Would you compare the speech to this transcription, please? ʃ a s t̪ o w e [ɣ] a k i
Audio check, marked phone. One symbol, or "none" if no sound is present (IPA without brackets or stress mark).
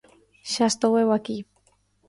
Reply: w